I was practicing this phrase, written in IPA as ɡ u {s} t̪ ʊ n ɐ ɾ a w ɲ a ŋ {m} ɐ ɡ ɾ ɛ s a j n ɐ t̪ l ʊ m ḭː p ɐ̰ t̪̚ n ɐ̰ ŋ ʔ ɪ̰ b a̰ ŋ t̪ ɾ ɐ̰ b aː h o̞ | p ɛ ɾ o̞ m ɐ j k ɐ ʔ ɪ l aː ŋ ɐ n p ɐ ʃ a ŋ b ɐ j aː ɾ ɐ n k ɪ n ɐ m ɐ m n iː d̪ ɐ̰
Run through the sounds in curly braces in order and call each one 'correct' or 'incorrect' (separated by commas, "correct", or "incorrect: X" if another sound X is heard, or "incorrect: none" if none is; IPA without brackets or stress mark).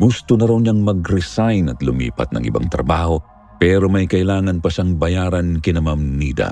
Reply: correct, correct